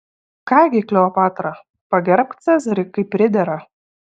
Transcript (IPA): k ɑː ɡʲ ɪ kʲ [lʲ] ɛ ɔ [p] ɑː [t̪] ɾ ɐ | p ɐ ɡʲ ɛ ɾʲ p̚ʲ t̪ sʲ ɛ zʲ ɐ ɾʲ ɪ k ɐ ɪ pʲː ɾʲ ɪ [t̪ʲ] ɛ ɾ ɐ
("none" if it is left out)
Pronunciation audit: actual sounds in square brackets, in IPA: lʲ, p, t̪, d̪ʲ

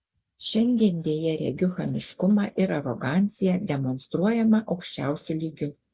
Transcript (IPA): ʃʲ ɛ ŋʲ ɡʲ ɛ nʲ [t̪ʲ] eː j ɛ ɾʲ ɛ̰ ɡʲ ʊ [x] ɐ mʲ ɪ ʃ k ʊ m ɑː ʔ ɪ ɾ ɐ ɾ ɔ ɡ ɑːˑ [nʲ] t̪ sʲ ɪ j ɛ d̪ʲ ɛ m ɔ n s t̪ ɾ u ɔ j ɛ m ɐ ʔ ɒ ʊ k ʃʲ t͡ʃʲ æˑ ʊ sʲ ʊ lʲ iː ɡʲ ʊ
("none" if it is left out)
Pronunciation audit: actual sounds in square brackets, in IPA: d̪ʲ, x, nʲ

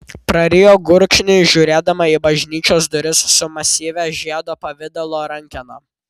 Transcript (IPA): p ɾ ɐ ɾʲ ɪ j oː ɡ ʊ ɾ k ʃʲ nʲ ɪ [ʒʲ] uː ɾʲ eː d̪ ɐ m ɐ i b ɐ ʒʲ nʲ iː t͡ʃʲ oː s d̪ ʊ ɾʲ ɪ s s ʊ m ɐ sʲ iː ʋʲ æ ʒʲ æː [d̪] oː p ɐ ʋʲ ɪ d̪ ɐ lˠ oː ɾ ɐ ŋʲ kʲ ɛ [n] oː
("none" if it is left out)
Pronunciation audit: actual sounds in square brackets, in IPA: ʒʲ, d̪, n

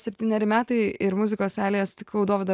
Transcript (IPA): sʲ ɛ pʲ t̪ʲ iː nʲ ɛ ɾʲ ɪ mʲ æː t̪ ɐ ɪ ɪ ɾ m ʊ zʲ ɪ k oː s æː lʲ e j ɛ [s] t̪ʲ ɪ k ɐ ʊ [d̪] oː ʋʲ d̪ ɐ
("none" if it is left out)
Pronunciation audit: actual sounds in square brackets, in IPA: s, d̪

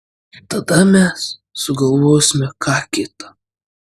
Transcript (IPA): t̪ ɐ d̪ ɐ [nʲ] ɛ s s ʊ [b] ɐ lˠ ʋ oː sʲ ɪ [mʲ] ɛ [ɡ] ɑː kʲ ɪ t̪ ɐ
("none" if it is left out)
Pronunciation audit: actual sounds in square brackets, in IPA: mʲ, ɡ, mʲ, k

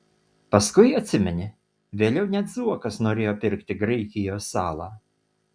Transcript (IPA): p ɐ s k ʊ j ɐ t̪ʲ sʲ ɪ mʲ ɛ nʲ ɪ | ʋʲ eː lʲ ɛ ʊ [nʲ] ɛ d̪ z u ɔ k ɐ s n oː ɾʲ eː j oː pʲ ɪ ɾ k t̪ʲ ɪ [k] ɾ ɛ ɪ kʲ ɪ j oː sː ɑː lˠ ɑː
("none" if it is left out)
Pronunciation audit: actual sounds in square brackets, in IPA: nʲ, ɡ

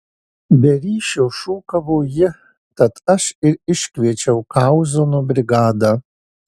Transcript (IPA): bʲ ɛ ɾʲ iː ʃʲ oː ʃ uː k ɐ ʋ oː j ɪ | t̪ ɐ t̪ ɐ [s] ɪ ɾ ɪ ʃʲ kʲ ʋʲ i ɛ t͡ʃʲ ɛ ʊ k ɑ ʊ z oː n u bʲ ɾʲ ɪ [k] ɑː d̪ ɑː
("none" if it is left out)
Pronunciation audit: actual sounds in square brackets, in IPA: ʃ, ɡ

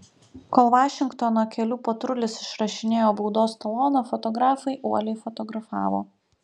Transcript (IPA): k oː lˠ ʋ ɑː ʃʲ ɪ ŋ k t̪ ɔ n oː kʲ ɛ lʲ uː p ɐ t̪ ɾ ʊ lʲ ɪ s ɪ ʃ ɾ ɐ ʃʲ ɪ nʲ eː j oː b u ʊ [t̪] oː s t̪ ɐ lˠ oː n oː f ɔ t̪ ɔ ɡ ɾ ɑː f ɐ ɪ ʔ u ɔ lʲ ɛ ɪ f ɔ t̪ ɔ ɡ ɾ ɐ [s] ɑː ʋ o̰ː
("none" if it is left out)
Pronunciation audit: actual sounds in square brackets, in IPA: d̪, f

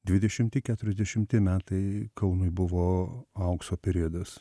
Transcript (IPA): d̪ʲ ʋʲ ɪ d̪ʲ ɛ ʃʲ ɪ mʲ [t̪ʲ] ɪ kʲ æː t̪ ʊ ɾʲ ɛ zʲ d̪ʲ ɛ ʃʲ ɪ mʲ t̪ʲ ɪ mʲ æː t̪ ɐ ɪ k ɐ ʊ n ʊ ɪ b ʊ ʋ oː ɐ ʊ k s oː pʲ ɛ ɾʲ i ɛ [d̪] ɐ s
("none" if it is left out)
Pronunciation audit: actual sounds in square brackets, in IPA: t̪ʲ, d̪

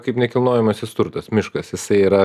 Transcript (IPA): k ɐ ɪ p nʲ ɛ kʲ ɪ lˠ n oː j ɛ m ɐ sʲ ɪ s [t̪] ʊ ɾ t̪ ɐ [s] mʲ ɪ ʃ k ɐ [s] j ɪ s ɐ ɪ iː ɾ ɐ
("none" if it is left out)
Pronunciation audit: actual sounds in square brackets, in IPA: t̪, s, s

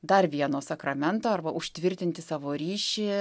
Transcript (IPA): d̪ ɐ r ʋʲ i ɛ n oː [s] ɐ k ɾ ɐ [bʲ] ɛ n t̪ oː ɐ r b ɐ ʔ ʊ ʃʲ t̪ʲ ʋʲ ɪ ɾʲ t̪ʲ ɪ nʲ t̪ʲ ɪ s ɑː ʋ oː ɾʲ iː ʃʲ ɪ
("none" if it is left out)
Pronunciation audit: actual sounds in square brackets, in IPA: s, mʲ

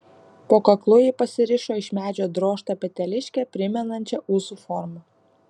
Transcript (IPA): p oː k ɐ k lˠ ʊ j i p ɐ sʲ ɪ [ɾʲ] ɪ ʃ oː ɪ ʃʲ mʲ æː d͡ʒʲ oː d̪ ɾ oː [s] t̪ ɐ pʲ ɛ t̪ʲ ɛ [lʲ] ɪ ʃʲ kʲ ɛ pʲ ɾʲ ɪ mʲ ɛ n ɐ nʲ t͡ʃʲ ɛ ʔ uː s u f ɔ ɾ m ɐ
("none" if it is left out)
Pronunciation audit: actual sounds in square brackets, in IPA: ɾʲ, ʃ, lʲ

